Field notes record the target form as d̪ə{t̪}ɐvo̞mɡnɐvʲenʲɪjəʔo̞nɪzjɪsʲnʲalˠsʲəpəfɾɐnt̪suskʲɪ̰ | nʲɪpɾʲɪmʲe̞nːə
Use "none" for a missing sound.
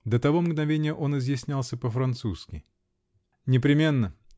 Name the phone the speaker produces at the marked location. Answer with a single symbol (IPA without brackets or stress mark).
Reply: t̪